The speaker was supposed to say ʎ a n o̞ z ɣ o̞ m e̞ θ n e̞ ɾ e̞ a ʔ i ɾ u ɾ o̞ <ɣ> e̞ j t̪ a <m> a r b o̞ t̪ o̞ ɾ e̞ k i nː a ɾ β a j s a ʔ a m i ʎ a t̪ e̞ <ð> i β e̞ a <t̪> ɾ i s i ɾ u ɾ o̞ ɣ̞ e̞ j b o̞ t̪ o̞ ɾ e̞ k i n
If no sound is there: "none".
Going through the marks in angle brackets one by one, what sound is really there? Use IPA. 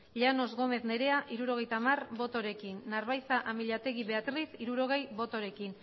ɣ, m, ɣ, t̪

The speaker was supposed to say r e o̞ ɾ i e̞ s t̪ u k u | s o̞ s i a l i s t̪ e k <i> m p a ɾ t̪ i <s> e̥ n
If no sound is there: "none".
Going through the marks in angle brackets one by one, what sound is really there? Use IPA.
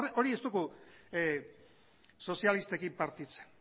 i, t͡s

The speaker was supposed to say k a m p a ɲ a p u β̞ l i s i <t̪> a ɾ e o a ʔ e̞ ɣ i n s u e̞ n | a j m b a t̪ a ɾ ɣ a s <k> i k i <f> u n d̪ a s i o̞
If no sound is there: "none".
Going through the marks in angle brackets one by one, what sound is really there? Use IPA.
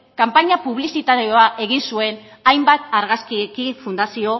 t̪, k, f

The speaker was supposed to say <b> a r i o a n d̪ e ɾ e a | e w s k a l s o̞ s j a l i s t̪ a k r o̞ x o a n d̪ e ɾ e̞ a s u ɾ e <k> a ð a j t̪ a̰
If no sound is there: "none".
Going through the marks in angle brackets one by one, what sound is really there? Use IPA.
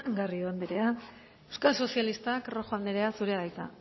ɡ, none

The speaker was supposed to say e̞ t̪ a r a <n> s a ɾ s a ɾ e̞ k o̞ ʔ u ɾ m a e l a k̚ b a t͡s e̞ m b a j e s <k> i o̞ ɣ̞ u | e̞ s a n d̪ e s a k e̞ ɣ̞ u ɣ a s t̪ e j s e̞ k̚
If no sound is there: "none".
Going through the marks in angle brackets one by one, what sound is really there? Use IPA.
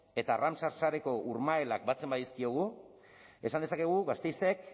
m, k

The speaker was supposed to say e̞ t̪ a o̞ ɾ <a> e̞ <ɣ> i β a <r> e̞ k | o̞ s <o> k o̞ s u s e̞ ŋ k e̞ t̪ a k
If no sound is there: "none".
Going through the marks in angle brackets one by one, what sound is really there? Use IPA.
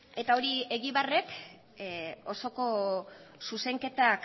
i, ɣ, r, o

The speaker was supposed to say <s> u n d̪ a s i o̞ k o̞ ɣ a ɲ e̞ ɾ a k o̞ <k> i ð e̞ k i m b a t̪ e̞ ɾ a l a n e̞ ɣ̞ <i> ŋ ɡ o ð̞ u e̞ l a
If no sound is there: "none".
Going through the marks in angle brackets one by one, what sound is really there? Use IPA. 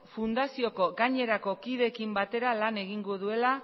f, k, i

